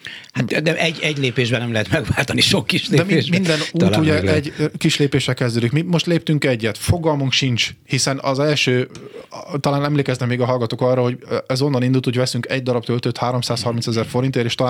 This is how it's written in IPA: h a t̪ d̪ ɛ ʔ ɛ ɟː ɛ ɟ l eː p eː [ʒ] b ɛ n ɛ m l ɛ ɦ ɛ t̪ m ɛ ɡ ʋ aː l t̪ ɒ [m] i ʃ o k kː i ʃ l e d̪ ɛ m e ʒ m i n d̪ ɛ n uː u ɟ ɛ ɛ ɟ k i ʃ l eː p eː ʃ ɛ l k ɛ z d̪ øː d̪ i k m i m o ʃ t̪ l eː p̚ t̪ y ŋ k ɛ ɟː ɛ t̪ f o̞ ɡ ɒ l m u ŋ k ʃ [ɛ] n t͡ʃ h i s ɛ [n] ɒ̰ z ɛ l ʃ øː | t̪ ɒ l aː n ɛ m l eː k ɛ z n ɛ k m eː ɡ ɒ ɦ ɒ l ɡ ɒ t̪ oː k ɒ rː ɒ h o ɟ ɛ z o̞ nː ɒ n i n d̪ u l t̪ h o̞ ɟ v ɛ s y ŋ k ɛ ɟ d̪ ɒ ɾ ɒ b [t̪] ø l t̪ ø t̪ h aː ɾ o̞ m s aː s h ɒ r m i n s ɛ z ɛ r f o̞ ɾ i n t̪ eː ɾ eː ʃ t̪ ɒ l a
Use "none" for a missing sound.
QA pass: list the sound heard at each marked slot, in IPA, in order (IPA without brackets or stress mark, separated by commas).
ʒ, n, i, n, t̪